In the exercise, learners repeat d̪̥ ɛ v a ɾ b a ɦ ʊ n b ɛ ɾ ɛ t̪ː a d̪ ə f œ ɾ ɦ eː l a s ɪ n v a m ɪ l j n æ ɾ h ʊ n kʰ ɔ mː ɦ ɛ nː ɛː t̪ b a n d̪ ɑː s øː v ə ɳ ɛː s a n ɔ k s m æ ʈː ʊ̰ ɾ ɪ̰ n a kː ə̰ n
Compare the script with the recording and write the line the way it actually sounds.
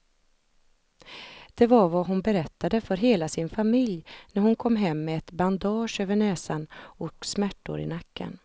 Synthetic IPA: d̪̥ ɛ v a ɾ v a ɦ ʊ n b ɛ ɾ ɛ t̪ː a d̪ ə f œ ɾ ɦ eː l a s ɪ n f a m ɪ l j n æ ɾ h ʊ n kʰ ɔ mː ɦ ɛ mː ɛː t̪ b a n d̪ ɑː ʂ øː v ə ɳ ɛː s a n ɔ k s m æ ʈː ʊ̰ ɾ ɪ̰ n a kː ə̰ n